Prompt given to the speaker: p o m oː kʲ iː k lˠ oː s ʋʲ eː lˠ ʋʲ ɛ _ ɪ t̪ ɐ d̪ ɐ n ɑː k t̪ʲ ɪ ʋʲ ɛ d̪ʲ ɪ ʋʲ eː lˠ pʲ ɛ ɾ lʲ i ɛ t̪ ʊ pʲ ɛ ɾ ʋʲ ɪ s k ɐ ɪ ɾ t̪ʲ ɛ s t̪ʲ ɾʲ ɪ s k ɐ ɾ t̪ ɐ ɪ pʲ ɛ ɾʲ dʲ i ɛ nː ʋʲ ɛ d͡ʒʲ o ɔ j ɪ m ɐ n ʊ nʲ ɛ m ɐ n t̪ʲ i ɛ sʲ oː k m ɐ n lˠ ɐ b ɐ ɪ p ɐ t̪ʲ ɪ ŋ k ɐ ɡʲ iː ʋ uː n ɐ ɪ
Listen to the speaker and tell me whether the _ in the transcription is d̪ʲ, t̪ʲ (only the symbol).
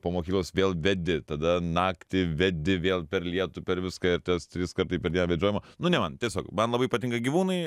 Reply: d̪ʲ